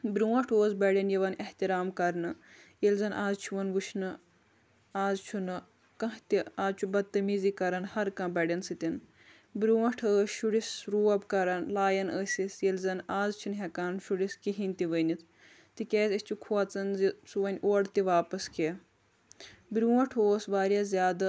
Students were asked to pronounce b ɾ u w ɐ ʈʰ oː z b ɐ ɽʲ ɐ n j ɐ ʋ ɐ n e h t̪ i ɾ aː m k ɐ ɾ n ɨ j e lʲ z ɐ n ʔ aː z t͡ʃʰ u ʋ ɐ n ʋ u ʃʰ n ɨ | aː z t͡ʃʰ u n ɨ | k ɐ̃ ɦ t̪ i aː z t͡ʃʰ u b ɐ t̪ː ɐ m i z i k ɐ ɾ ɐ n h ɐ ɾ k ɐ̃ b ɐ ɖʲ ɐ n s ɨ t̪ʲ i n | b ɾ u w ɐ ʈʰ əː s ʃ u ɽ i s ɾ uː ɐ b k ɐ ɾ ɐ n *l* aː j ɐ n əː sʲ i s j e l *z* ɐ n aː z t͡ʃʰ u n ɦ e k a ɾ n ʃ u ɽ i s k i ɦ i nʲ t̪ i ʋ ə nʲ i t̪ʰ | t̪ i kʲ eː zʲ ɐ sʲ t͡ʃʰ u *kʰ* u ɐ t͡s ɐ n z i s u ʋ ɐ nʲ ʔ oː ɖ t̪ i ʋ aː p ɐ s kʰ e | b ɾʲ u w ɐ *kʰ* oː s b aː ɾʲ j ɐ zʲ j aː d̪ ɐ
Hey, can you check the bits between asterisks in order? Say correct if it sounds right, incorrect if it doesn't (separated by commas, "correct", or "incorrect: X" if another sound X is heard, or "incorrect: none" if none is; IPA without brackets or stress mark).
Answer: correct, correct, correct, incorrect: ʈʰ